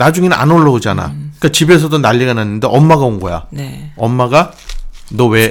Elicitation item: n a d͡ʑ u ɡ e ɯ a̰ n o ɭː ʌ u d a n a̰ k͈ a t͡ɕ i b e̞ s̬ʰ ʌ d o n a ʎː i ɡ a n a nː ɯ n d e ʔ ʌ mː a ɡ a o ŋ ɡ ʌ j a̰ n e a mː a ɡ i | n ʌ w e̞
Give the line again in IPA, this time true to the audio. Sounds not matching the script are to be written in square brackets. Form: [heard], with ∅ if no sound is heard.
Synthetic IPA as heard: n a d͡ʑ u [ŋ] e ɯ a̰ n o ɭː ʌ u [d͡ʑ] a n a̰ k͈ a t͡ɕ i b e̞ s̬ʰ ʌ d o n a ʎː i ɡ a n a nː ɯ n d e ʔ ʌ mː a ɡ a o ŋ ɡ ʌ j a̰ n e [ʌ] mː a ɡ [a] | n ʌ w e̞